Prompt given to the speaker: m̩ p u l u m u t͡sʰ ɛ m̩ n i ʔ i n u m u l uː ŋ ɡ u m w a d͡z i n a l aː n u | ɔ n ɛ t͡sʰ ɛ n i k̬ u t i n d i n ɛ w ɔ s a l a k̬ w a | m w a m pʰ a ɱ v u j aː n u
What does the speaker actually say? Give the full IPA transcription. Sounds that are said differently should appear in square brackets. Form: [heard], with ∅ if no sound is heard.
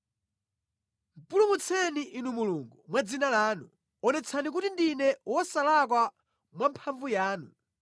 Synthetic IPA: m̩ p u l u m u t͡sʰ ɛ [∅] n i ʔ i n u m u l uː ŋ ɡ u m w a d͡z i n a l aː n u | ɔ n ɛ t͡sʰ [a] n i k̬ u t i n d i n ɛ w ɔ s a l a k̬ w a | m w a m pʰ a ɱ v u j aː n u